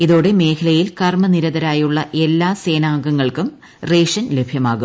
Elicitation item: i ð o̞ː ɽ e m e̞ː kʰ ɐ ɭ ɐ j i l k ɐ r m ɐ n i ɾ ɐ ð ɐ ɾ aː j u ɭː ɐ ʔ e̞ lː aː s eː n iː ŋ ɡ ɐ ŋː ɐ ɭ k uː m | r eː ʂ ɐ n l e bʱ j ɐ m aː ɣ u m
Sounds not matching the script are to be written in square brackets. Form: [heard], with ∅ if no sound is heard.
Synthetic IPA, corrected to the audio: i ð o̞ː ɽ e m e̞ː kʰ ɐ [l] ɐ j i l k ɐ r m ɐ n i ɾ ɐ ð ɐ ɾ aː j u ɭː ɐ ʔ e̞ lː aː s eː n [aː] ŋ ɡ ɐ ŋː ɐ ɭ k [u] m | r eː ʂ ɐ n l e bʱ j ɐ m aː ɣ u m